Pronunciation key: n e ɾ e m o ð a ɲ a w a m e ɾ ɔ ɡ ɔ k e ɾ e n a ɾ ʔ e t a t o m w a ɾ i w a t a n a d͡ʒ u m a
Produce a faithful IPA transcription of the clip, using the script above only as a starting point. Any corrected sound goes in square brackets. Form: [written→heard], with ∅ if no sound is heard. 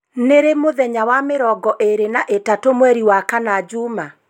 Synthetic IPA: n e ɾ e m o ð [a→ɛ] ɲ a w a m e ɾ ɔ ɡ ɔ [k→ʔ] e ɾ e n a [ɾ→∅] ʔ e t a t o m w [a→ɛ] ɾ i w a [t→k] a n a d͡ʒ u m a